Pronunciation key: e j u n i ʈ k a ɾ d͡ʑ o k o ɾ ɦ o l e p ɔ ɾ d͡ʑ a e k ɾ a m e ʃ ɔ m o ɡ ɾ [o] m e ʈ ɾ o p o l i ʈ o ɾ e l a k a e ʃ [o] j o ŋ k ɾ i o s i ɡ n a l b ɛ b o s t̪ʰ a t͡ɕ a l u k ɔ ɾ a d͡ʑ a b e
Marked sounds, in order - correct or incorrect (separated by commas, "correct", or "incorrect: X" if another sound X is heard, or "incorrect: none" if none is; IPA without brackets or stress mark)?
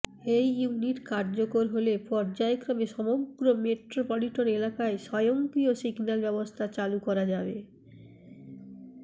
correct, incorrect: ɔ